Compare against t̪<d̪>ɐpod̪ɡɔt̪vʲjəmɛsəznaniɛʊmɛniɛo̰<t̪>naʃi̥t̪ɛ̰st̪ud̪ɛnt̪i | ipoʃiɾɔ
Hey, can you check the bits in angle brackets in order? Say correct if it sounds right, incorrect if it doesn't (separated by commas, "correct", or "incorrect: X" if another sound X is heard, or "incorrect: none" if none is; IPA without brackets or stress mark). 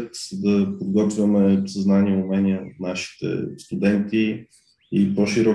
correct, correct